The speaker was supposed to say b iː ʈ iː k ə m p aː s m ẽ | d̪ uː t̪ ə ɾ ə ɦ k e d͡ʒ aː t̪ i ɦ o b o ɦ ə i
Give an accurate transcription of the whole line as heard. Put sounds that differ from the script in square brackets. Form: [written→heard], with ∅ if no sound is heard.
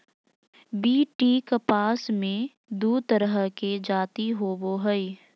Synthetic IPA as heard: b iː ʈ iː k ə [m→∅] p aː s m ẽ | d̪ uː t̪ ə ɾ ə ɦ k e d͡ʒ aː t̪ i ɦ o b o ɦ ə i

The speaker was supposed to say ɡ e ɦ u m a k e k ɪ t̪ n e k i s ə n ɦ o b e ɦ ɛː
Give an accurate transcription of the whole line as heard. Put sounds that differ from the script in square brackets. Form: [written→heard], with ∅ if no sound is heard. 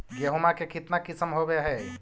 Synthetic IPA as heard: ɡ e ɦ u m a k e k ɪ t̪ n [e→a] k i s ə [n→m] ɦ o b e ɦ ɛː

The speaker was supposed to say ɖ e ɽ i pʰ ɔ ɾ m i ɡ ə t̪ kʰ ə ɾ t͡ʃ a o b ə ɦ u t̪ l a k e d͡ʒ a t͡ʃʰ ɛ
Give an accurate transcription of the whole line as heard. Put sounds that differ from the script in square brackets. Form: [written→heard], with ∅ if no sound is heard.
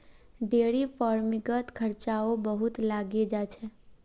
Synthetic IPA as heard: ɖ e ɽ i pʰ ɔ ɾ m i ɡ ə t̪ kʰ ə ɾ t͡ʃ a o b ə ɦ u t̪ l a [k→ɡ] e d͡ʒ a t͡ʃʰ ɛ

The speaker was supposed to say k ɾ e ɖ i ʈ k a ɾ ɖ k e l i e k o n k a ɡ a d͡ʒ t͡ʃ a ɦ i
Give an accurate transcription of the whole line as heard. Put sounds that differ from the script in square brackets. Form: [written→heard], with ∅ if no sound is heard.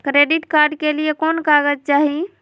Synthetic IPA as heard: k ɾ e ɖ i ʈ k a ɾ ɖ k e l i e k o n k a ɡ [a→ə] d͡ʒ t͡ʃ a ɦ i

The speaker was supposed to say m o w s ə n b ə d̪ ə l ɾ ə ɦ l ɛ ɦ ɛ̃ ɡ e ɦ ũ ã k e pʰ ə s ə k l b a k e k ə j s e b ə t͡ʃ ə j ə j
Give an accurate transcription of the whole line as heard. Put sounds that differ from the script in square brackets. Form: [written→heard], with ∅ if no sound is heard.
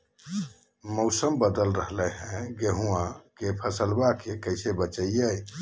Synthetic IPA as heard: m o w s ə [n→m] b ə d̪ ə l ɾ ə ɦ l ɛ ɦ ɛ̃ ɡ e ɦ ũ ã k e pʰ ə s ə [k→∅] l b a k e k ə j s e b ə t͡ʃ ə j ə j

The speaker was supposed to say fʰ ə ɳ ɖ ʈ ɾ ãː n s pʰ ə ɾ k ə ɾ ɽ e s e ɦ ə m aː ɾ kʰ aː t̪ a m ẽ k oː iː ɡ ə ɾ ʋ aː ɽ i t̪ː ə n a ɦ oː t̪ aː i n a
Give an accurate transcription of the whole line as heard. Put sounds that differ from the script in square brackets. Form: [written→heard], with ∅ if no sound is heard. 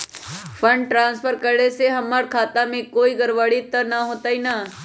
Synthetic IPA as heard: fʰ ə ɳ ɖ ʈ ɾ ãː n s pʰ ə ɾ k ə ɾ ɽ e s e ɦ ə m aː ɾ kʰ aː t̪ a m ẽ k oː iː ɡ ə ɾ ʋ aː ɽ i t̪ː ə n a ɦ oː t̪ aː i n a

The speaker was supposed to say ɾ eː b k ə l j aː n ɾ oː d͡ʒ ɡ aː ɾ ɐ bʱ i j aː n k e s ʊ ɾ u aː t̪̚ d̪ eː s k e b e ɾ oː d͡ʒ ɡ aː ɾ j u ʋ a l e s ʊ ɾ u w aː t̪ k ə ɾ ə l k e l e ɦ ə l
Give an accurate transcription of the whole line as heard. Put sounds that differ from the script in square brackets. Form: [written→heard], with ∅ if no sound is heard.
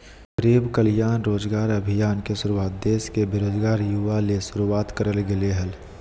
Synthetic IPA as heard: ɾ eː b k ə l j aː n ɾ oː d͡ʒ ɡ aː ɾ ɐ bʱ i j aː n k e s ʊ ɾ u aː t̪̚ d̪ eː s k e b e ɾ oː d͡ʒ ɡ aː ɾ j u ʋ a l e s ʊ ɾ u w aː t̪ k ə ɾ ə l [k→ɡ] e l e ɦ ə l

